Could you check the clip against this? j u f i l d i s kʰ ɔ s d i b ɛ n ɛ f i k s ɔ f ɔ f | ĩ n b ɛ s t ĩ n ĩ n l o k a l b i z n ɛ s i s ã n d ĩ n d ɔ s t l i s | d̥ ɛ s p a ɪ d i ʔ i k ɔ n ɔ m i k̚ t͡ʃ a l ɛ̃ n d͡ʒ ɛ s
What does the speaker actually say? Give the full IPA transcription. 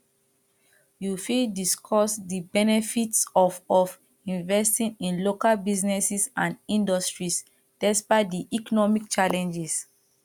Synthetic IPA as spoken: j u f i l d i s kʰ ɔ s d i b ɛ n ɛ f i t s ɔ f ɔ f | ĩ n v ɛ s t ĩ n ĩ n l o k a l b i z n ɛ s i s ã n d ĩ n d ɔ s t ɹ i s | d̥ ɛ s p a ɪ d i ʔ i k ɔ n ɔ m i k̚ t͡ʃ a l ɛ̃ n d͡ʒ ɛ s

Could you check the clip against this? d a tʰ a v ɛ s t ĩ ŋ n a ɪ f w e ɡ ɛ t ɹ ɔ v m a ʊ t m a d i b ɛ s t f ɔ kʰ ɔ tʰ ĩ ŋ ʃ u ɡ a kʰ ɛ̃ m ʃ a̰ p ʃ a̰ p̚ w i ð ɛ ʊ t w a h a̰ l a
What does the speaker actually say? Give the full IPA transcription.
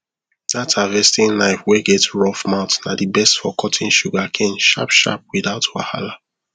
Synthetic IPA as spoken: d a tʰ a v ɛ s t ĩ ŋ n a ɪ f w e ɡ ɛ t ɹ ɔ f m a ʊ t n a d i b ɛ s t f ɔ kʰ ɔ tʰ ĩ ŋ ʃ u ɡ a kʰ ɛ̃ n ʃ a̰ p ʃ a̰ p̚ w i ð a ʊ t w a h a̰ l a

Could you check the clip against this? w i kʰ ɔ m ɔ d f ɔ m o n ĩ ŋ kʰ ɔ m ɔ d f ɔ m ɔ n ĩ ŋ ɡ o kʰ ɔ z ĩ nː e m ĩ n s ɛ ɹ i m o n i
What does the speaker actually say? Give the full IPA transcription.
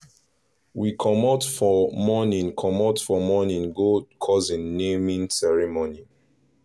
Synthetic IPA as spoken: w i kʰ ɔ m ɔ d f ɔ m ɔ n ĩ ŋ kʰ ɔ m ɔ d f ɔ m ɔ n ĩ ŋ ɡ o kʰ ɔ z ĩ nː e m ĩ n s ɛ ɹ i m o n i

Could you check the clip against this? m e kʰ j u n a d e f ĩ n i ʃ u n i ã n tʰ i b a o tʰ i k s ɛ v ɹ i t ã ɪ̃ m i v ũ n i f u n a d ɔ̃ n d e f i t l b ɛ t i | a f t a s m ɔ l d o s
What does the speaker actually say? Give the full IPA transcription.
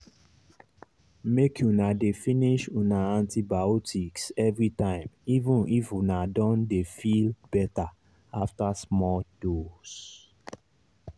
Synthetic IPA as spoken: m e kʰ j u n a d e f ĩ n i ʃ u n a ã n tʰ i b a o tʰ i k s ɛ v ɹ i t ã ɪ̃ m i v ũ n i f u n a d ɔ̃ n d e f i l b ɛ t a | a f t a s m ɔ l d o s

